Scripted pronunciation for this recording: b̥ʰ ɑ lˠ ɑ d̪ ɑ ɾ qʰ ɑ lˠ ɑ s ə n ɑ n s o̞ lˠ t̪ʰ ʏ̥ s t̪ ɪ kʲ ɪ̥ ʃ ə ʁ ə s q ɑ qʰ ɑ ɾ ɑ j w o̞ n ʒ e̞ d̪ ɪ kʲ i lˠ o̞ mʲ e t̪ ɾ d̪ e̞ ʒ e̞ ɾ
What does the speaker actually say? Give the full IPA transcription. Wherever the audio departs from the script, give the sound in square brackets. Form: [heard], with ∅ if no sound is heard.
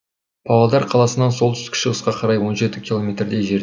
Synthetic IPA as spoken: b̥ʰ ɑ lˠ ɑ d̪ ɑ ɾ qʰ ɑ lˠ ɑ s ə n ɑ n s o̞ lˠ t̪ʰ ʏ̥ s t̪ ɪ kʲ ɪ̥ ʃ ə ʁ ə s q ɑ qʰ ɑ ɾ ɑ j w o̞ n ʒ e̞ [t̪] ɪ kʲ i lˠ o̞ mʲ e t̪ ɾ d̪ e̞ ʒ e̞ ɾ

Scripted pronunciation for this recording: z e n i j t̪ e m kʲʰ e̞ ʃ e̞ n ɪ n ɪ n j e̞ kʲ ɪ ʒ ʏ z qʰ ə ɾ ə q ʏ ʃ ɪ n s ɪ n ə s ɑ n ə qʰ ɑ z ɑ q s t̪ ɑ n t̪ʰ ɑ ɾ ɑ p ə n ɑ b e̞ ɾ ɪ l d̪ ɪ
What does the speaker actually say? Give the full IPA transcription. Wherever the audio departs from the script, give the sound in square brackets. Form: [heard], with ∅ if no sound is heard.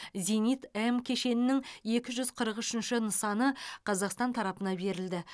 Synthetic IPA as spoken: z e n i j t̪ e m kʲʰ e̞ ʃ e̞ n ɪ n ɪ [ŋ] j e̞ kʲ ɪ ʒ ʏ z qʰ ə ɾ ə q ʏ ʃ ɪ n [ʃ] ɪ n ə s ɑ n ə qʰ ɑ z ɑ q s t̪ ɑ n t̪ʰ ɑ ɾ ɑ p ə n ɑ b e̞ ɾ ɪ l d̪ ɪ

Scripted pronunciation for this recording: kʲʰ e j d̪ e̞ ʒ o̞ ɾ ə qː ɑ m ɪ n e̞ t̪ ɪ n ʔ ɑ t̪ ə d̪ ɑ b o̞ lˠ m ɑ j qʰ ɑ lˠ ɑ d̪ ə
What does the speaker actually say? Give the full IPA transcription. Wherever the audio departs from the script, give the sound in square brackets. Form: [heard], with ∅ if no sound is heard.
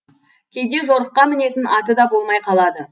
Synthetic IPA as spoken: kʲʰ e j d̪ e̞ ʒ o̞ ɾ ə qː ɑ m ɪ n e̞ t̪ ɪ n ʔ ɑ t̪ ə d̪ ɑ b o̞ lˠ m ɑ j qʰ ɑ lˠ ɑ d̪ ə

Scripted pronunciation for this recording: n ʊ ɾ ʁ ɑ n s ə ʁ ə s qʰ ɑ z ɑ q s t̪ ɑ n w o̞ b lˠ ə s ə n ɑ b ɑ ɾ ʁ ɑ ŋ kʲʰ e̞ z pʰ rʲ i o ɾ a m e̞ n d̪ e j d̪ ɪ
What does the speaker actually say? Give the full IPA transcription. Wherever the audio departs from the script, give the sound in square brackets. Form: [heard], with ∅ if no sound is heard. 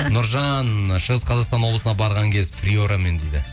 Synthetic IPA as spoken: n ʊ ɾ [ʒ] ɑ n [ʃ] ə ʁ ə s qʰ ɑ z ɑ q s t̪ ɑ n w o̞ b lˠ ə s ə n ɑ b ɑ ɾ ʁ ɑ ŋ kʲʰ e̞ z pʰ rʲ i o ɾ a m e̞ n d̪ e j d̪ ɪ

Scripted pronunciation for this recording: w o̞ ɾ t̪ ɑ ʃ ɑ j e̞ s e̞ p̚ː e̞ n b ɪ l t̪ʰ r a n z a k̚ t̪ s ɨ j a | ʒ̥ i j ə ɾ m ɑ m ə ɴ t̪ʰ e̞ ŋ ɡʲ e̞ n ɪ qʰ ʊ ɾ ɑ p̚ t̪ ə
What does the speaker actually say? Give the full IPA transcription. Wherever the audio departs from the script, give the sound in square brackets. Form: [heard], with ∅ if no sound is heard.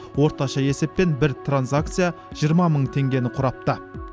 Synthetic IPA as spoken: w o̞ ɾ t̪ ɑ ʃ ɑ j e̞ s e̞ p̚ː e̞ n b ɪ [ɾ] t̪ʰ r a n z a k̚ t̪ s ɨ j a | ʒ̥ i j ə ɾ m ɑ m ə ɴ t̪ʰ e̞ ŋ ɡʲ e̞ n ɪ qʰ ʊ ɾ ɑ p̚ t̪ ə

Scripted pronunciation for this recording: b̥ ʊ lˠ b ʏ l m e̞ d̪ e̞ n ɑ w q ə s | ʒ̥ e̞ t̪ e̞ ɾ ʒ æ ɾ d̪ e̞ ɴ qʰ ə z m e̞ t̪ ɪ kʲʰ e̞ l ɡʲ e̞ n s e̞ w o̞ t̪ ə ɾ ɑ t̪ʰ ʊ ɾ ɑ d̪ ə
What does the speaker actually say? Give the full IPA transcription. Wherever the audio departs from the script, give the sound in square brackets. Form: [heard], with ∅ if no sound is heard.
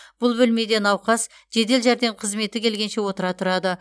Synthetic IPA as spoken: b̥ ʊ lˠ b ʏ l m e̞ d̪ e̞ n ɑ w q [ɑ] s | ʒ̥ e̞ [d̪] e̞ [l] ʒ æ ɾ d̪ e̞ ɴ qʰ ə z m e̞ t̪ ɪ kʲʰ e̞ l ɡʲ e̞ n [ʃ] e̞ w o̞ t̪ ə ɾ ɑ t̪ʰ ʊ ɾ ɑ d̪ ə

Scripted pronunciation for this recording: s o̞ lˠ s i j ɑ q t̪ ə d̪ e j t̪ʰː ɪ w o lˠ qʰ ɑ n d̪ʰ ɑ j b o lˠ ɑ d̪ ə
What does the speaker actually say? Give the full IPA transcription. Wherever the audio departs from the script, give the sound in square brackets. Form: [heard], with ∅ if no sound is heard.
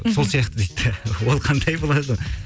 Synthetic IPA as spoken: s o̞ lˠ s i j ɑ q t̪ ə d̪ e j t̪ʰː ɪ w o lˠ qʰ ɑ n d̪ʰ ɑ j b o lˠ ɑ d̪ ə

